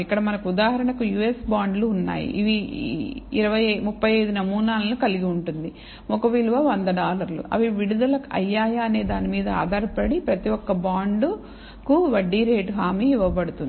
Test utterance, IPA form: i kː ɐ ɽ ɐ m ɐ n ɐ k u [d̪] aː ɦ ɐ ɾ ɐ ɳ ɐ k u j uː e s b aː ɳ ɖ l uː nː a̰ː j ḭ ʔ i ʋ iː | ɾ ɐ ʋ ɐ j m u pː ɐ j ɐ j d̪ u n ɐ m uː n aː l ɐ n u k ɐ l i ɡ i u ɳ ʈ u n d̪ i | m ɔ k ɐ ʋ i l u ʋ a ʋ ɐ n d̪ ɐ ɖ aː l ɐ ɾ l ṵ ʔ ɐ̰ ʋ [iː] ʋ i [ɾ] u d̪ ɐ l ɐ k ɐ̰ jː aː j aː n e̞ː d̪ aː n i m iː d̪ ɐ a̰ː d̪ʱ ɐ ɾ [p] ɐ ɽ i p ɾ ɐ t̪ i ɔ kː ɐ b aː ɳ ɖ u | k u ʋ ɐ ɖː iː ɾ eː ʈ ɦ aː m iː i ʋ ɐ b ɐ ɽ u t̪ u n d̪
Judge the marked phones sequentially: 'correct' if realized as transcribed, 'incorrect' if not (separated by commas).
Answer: correct, incorrect, incorrect, correct